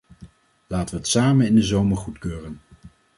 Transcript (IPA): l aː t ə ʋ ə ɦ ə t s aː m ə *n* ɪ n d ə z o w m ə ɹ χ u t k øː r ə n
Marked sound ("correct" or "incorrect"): correct